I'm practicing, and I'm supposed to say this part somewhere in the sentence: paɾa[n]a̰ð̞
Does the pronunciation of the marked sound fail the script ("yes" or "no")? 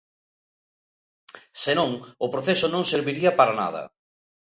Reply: no